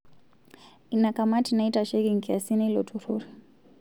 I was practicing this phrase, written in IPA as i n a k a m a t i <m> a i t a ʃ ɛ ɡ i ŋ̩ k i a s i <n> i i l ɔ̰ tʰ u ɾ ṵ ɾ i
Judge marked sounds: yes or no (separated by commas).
no, yes